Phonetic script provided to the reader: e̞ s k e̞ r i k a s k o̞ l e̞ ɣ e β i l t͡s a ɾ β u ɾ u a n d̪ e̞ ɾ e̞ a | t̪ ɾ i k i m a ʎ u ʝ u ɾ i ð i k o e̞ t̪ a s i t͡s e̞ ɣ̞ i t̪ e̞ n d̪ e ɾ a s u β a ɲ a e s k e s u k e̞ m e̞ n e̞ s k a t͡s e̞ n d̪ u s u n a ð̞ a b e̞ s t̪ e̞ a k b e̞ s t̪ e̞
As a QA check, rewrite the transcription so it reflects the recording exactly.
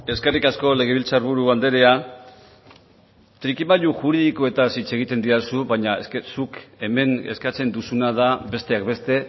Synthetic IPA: e̞ s k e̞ r i k a s k o̞ l e̞ ɣ e β i l t͡s a ɾ β u ɾ u a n d̪ e̞ ɾ e̞ a | t̪ ɾ i k i m a ʎ u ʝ u ɾ i ð i k o e̞ t̪ a s i t͡s e̞ ɣ̞ i t̪ e̞ n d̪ i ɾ a s u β a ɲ a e s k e s u k e̞ m e̞ n e̞ s k a t͡s e̞ n d̪ u s u n a ð̞ a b e̞ s t̪ e̞ a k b e̞ s t̪ e̞